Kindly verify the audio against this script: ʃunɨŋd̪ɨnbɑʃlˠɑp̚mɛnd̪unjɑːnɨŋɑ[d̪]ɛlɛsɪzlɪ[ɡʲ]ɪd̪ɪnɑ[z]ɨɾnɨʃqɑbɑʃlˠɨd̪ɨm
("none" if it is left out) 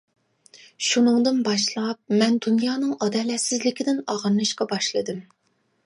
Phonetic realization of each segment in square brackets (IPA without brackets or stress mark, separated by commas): d̪, kʲ, ʁ